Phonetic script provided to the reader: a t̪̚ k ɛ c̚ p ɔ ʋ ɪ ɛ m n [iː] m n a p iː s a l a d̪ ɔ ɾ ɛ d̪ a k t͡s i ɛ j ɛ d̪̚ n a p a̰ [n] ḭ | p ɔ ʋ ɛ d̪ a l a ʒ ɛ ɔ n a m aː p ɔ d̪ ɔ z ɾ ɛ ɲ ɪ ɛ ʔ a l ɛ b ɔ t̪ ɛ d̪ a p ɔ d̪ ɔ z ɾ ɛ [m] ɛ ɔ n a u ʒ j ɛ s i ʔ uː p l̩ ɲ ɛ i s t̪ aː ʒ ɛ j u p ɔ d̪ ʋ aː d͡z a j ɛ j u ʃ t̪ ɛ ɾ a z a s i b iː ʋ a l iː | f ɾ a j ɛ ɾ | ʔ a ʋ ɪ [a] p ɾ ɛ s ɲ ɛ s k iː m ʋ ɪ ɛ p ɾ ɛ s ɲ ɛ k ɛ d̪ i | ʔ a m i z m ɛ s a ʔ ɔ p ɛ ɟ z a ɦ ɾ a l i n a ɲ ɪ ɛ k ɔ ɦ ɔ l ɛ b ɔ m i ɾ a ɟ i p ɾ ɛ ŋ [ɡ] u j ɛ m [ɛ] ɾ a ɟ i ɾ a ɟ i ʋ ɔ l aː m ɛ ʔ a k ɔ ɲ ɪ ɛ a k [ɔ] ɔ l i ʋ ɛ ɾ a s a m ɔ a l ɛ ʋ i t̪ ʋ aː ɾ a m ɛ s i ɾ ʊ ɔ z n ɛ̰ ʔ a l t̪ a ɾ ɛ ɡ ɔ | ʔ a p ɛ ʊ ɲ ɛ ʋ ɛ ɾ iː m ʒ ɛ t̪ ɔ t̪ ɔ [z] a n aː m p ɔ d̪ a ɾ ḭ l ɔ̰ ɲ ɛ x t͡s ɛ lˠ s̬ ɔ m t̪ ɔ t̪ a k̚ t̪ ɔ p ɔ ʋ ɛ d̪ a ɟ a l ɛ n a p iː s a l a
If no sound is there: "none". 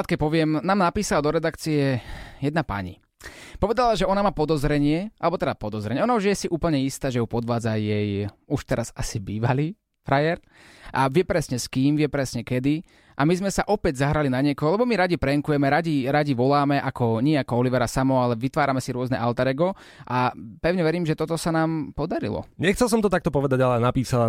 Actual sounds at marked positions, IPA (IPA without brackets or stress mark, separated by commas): aː, ɲ, ɲ, ɛ, k, ɛ, ɔ, s